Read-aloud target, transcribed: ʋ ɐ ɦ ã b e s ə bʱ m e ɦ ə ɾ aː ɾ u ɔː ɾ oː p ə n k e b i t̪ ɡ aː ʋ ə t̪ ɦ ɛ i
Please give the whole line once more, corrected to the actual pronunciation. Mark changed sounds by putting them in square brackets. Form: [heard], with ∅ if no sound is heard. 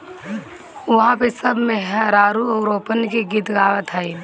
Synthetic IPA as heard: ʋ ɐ ɦ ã [p] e s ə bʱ m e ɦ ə ɾ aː ɾ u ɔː ɾ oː p ə n k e [ɡ] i t̪ ɡ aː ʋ ə t̪ ɦ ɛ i